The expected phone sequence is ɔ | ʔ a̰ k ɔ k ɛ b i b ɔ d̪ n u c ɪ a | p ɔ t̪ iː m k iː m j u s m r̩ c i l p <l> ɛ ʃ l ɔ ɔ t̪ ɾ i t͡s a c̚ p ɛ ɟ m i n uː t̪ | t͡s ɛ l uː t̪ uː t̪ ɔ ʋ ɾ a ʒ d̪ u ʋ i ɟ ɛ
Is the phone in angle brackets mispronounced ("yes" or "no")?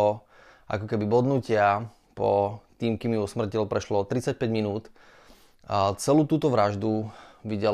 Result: yes